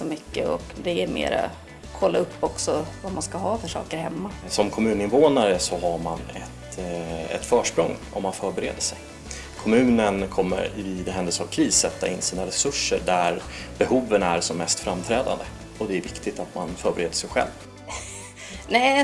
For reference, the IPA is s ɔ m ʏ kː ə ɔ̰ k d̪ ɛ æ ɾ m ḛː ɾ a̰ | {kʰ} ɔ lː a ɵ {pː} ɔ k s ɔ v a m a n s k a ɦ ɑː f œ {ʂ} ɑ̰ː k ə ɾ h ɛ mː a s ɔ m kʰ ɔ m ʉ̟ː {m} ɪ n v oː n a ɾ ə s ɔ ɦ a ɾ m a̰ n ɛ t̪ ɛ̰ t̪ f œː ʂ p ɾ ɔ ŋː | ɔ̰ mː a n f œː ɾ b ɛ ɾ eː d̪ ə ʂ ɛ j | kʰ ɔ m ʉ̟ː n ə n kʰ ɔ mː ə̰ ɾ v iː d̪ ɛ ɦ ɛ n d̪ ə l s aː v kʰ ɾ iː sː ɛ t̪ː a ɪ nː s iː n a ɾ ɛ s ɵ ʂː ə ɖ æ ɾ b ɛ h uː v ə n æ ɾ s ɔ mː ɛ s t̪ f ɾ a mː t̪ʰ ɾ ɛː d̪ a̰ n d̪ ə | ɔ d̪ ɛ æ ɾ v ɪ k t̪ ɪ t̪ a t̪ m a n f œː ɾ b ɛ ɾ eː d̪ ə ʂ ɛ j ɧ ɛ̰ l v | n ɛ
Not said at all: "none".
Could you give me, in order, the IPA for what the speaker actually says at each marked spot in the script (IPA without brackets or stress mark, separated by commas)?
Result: kʰ, pː, ʂ, n